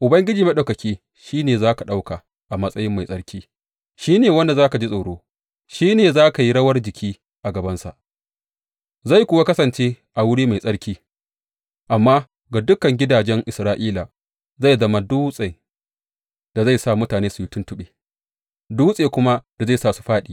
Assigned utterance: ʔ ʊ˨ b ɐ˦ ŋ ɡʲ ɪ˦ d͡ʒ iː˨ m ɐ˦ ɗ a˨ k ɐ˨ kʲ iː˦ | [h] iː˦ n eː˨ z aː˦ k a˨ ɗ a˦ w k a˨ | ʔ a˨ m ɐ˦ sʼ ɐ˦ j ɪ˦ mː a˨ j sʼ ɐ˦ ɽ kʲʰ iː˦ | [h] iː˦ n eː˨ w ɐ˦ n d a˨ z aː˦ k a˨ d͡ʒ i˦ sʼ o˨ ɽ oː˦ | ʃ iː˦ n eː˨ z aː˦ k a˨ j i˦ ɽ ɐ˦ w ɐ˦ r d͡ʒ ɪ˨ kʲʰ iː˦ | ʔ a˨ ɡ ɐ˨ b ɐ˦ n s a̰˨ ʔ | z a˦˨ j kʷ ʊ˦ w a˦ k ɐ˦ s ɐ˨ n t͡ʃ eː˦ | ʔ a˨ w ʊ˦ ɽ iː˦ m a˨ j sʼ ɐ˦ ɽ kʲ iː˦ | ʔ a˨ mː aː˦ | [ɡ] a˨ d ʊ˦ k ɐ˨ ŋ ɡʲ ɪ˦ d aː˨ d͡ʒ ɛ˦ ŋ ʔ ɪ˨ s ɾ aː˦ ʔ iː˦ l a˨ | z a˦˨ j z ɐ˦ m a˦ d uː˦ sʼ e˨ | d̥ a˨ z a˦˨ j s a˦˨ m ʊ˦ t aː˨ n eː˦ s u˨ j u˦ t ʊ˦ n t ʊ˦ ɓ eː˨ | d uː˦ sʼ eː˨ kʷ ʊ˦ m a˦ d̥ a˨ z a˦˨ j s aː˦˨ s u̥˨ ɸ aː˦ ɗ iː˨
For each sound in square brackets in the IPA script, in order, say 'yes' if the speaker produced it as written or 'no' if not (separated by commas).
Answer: no, no, yes